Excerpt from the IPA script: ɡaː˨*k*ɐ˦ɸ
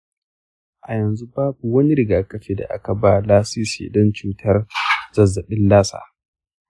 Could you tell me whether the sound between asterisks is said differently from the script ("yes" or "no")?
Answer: yes